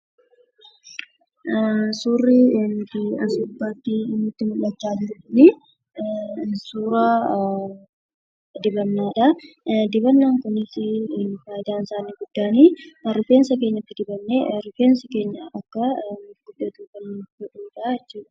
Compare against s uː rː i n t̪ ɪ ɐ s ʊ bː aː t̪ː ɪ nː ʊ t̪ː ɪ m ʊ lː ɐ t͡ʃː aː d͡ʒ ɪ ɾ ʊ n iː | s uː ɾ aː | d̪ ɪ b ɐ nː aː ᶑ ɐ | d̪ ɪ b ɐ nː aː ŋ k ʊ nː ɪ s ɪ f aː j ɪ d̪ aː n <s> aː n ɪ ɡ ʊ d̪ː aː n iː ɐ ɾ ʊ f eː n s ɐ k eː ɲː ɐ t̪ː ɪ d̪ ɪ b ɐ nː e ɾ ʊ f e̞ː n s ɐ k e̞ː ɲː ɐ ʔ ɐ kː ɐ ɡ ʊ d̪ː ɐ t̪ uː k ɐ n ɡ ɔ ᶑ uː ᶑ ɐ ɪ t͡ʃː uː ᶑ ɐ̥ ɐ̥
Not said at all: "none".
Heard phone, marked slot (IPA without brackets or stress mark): s